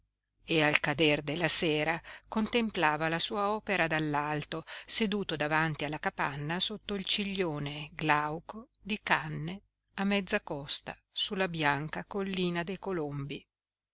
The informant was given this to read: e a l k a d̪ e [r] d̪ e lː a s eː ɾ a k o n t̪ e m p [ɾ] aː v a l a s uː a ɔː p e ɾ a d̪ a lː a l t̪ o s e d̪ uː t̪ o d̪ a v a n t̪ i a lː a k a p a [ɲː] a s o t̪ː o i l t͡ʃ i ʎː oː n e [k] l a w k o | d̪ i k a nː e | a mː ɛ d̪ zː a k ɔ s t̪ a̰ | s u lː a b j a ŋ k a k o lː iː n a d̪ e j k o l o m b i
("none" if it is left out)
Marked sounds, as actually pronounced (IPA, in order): r, l, nː, ɡ

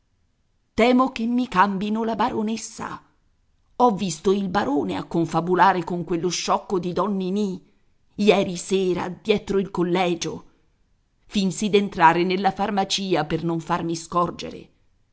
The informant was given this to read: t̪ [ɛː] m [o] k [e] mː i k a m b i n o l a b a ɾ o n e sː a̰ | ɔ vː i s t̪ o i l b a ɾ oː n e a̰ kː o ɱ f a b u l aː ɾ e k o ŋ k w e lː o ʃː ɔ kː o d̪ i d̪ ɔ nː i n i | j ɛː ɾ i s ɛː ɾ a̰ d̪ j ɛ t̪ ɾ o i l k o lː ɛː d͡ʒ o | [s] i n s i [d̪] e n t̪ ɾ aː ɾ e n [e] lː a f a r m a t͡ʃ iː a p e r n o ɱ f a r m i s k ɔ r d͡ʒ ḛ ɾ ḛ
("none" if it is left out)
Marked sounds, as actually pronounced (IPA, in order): ɛː, o, e, f, d̪, e

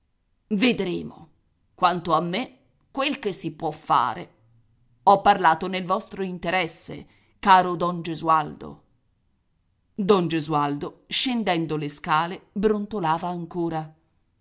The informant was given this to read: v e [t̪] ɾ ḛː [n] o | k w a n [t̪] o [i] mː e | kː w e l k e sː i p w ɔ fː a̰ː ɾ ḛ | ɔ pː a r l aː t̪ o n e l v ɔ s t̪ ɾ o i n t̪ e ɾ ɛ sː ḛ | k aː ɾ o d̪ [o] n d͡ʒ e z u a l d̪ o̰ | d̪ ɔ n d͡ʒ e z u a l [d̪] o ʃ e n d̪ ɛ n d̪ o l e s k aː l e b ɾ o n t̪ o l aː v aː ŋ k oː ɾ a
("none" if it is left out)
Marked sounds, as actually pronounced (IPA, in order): d̪, m, t̪, a, ɔ, d̪

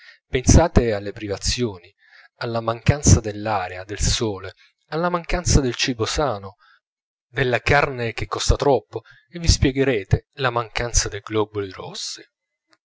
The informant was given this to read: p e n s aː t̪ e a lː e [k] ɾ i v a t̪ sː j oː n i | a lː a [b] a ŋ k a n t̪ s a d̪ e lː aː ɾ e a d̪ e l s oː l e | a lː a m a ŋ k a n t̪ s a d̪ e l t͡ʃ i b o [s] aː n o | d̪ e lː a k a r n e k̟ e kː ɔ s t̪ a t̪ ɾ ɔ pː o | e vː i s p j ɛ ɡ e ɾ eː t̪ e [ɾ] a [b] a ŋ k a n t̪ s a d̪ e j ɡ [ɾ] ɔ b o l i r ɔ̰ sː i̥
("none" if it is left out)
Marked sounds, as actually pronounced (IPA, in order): p, m, s, l, m, l

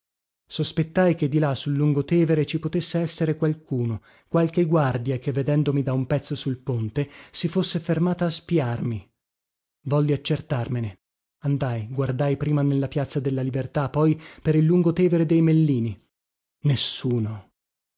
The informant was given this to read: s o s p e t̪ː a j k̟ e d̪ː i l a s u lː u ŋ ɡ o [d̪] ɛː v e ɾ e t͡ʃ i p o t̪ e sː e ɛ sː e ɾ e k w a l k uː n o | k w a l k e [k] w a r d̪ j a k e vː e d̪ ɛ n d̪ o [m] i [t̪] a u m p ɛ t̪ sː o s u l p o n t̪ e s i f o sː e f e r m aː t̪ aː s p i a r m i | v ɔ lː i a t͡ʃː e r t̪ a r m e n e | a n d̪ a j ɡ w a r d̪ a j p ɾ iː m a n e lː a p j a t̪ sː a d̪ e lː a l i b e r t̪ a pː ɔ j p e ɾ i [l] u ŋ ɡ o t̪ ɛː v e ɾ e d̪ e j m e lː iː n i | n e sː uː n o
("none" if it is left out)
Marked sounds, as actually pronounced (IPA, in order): t̪, ɡ, m, d̪, lː

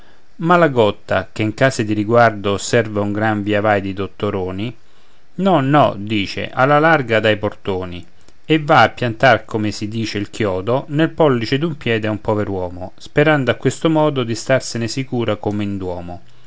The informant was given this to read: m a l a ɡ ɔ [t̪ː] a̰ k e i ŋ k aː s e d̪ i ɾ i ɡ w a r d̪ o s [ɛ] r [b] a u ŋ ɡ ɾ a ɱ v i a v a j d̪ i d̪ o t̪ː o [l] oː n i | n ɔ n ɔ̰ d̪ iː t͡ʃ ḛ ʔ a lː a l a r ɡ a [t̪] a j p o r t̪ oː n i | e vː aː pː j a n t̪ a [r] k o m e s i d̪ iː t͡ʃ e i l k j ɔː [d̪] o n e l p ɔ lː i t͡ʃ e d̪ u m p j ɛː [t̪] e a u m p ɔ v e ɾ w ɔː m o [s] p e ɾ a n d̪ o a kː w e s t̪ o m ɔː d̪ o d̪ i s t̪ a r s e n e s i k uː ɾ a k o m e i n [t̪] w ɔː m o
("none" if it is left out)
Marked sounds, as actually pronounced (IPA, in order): t̪ː, ɛ, v, ɾ, d̪, r, d̪, d̪, s, d̪

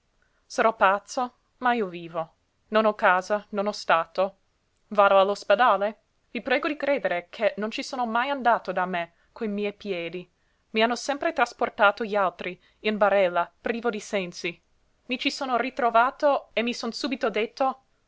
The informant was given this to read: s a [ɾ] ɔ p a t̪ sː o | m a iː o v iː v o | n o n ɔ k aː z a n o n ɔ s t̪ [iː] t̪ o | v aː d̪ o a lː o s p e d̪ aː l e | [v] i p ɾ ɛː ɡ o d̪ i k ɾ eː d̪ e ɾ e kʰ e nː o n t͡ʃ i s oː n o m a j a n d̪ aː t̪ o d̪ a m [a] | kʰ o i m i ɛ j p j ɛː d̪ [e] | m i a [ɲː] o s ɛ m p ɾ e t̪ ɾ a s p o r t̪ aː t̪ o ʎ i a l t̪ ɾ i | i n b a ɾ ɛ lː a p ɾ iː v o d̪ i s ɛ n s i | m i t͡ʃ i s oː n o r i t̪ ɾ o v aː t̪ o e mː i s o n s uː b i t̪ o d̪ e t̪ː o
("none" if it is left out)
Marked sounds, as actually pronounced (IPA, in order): ɾ, aː, v, e, i, nː

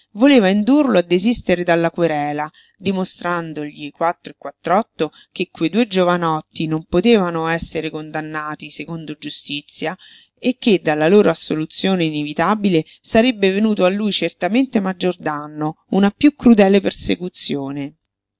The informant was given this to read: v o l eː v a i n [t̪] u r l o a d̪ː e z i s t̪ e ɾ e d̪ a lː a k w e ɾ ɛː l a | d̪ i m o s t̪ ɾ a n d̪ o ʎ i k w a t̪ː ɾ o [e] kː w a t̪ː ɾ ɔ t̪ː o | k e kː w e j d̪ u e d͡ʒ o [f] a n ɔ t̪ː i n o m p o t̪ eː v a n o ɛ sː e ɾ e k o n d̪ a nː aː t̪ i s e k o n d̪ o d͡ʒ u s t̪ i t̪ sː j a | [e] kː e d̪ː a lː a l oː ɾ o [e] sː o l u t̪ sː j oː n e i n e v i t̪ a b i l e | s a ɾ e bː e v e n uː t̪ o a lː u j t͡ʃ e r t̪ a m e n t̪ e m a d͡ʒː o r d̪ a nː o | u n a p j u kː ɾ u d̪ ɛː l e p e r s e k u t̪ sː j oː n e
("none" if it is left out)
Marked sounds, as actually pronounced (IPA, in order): d̪, e, v, e, a

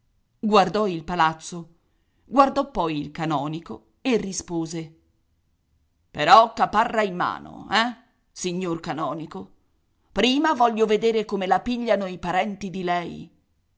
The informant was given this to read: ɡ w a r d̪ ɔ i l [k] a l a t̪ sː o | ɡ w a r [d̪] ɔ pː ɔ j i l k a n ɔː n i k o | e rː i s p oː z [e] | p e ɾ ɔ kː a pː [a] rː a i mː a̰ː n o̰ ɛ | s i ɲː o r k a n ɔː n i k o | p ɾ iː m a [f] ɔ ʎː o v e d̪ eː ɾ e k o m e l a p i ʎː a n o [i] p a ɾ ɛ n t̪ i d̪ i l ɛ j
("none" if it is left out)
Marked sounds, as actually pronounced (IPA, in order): p, d̪, e, a, v, i

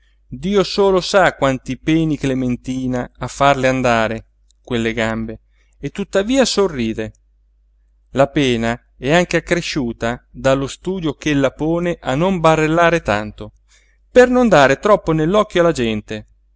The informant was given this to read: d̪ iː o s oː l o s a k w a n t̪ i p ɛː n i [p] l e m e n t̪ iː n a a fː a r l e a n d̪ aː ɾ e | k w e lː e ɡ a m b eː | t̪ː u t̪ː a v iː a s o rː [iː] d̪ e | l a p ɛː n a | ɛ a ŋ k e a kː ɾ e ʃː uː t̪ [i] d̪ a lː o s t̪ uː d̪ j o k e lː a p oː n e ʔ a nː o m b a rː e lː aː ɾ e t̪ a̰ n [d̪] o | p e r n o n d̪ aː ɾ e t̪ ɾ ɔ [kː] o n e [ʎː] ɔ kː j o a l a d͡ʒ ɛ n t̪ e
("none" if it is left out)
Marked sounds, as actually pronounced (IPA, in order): k, iː, a, t̪, pː, lː

